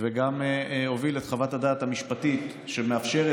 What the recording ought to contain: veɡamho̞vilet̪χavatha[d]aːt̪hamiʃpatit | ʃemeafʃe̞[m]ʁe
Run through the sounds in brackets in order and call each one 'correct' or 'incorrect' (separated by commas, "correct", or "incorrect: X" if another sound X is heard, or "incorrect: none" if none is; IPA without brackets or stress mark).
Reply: correct, incorrect: none